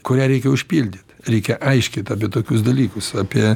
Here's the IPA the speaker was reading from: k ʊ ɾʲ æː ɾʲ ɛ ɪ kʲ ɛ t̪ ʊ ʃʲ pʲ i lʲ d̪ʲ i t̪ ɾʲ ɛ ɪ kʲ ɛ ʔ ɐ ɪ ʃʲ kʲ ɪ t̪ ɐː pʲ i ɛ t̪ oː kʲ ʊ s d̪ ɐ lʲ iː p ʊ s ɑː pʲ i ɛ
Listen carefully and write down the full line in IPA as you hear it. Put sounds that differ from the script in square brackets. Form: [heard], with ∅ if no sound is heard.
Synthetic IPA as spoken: k ʊ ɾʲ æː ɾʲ ɛ ɪ kʲ ɛ [∅] ʊ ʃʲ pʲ i lʲ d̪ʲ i t̪ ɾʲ ɛ ɪ kʲ ɛ ʔ ɐ ɪ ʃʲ kʲ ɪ t̪ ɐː pʲ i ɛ t̪ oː kʲ ʊ s d̪ ɐ lʲ iː [k] ʊ s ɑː pʲ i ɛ